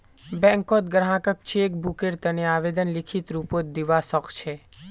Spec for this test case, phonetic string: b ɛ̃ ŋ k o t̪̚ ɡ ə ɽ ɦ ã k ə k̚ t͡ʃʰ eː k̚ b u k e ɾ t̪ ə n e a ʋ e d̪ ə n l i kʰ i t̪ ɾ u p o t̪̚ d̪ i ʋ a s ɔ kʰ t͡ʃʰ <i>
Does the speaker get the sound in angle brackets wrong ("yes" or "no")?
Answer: yes